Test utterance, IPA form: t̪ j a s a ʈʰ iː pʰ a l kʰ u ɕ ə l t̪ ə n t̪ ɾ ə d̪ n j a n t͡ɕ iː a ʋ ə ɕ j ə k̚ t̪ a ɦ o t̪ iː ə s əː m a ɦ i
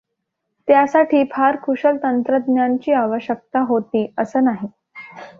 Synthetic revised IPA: t̪ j a s a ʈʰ iː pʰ a ɾ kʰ u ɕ ə l t̪ ə n t̪ ɾ ə d̪ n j a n t͡ɕ iː a ʋ ə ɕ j ə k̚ t̪ a ɦ o t̪ iː ə s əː n a ɦ i